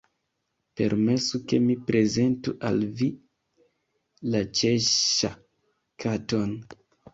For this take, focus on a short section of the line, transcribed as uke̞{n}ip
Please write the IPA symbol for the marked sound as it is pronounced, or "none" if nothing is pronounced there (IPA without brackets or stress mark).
m